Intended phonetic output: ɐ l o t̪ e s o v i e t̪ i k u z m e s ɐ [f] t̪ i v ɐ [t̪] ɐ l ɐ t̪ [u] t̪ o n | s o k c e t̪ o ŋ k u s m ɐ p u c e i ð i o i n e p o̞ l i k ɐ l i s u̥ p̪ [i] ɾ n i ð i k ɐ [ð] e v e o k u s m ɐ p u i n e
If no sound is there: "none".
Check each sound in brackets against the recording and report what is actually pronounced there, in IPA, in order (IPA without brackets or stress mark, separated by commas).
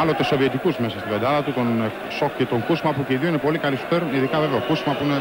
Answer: s, d̪, u, e, v